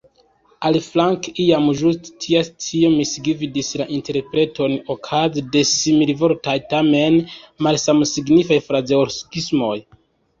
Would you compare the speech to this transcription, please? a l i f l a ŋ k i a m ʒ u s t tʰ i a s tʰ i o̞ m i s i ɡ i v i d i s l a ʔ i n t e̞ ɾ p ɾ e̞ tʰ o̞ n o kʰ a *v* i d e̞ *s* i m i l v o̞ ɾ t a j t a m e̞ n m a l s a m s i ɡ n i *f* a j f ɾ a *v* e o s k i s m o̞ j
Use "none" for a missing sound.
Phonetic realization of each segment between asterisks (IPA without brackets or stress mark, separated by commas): z, s, f, z